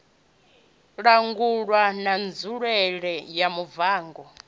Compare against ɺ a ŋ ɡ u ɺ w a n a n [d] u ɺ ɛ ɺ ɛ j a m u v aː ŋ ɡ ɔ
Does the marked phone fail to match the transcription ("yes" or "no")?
yes